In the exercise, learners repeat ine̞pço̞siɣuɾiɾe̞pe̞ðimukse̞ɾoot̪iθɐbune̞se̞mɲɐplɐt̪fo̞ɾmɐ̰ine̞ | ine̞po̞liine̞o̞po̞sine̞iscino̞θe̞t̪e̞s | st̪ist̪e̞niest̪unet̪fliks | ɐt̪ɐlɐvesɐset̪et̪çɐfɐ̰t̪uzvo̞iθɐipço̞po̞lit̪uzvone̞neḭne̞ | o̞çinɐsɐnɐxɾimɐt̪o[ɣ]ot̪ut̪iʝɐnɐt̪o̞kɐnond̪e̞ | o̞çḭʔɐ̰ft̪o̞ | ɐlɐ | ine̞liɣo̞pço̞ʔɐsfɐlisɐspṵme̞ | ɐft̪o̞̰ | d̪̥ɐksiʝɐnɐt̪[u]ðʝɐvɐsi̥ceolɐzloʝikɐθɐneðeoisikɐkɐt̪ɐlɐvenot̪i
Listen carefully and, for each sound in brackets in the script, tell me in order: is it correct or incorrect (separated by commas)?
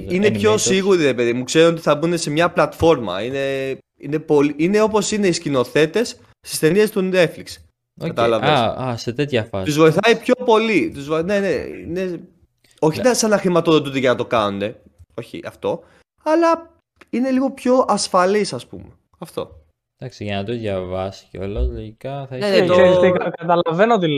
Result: incorrect, incorrect